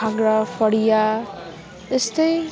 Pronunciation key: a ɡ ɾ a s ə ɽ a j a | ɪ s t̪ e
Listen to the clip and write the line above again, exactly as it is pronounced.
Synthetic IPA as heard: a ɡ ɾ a f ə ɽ i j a | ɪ s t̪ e

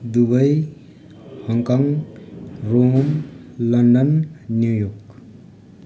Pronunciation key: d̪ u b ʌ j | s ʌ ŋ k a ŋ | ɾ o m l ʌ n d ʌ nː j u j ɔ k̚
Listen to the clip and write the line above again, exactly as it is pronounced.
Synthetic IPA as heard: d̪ u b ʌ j | h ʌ ŋ k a ŋ | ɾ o m l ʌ n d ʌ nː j u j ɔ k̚

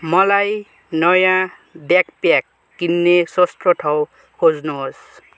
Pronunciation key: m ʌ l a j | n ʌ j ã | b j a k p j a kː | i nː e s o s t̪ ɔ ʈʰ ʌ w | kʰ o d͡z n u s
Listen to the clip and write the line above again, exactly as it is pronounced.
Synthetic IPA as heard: m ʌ l a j | n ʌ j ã | b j a k p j a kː | i nː e s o s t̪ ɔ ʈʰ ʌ w | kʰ o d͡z n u s

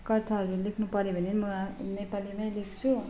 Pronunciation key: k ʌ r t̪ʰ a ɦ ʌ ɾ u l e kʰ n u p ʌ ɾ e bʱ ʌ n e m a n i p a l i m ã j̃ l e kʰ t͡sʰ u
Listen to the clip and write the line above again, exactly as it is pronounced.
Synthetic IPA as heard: k ʌ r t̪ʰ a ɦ ʌ ɾ u l e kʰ n u p ʌ ɾ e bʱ ʌ n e m ʌ n e p a l i m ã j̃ l e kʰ t͡sʰ u

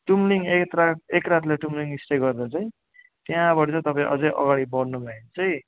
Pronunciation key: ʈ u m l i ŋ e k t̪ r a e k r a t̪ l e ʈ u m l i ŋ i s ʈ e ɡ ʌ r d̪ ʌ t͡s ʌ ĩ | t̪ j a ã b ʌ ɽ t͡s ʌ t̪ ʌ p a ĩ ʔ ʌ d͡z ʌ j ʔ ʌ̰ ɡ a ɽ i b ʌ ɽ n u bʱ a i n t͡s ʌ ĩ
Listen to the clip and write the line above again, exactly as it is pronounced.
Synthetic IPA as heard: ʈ u m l i ŋ e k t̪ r a e k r a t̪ l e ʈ u m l i ŋ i s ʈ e ɡ ʌ r d̪ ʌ t͡s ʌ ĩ | t̪ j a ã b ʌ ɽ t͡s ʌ t̪ ʌ p a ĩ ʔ ʌ d͡z ʌ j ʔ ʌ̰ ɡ a ɽ i b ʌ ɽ n u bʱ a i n t͡s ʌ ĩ

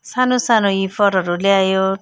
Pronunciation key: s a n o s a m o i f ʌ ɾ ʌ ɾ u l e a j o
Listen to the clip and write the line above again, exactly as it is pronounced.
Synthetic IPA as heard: s a n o s a n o i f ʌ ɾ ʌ ɾ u l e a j o

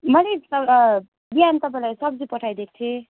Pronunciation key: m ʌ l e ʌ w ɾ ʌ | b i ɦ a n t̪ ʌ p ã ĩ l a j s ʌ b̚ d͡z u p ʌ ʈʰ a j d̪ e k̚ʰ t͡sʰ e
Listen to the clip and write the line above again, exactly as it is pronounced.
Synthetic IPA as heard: m ʌ l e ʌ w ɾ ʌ | b i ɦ a n t̪ ʌ p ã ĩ l a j s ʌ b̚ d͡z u p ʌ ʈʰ a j d̪ e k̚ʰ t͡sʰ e

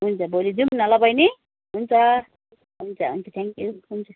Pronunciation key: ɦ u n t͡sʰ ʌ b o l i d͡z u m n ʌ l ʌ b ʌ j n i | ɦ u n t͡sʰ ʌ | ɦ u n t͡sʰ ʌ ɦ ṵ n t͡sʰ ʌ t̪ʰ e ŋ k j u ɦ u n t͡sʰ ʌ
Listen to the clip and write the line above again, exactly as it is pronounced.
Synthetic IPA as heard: ɦ u n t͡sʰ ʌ b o l i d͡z u m n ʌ l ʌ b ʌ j n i | ɦ u n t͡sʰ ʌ | ɦ u n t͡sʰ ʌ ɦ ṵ n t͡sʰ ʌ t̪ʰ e ŋ k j u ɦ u n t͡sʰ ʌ

